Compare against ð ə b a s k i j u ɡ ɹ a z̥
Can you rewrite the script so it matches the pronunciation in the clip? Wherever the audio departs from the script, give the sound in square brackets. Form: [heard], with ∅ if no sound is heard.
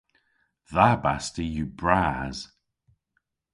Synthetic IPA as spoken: ð [a] b a s [t] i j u [b] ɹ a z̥